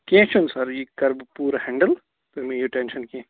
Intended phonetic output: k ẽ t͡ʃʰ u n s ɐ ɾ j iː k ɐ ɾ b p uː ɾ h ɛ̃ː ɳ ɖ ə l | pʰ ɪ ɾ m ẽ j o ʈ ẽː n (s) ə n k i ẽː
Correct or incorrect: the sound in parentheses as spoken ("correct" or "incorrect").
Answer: incorrect